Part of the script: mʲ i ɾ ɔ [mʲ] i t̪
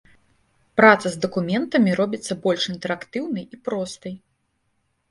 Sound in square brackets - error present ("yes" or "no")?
yes